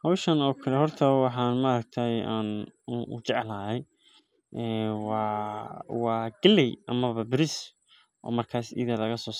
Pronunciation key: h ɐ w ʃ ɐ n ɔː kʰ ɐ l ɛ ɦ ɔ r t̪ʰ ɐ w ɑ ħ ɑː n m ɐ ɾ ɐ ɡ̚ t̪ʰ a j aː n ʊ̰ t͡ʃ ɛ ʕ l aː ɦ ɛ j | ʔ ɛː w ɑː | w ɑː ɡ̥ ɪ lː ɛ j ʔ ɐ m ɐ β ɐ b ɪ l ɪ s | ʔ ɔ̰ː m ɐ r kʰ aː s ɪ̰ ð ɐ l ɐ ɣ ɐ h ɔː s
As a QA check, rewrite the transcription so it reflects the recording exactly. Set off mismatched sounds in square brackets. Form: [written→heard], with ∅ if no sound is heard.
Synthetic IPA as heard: h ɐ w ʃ ɐ n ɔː kʰ ɐ l ɛ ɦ ɔ r t̪ʰ ɐ w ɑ ħ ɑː n m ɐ ɾ ɐ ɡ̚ t̪ʰ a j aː n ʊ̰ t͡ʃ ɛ ʕ l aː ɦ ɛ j | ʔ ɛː w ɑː | w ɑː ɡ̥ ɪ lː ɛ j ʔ ɐ m ɐ β ɐ b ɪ [l→ɾ] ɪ s | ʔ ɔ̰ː m ɐ r kʰ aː s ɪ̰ ð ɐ l ɐ ɣ ɐ [h→s] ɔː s